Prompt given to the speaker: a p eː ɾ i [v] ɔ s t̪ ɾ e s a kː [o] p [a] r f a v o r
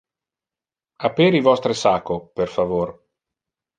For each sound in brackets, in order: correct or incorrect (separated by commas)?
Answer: correct, correct, incorrect